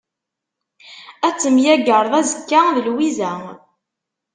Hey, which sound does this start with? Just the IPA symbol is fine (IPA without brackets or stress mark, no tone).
æ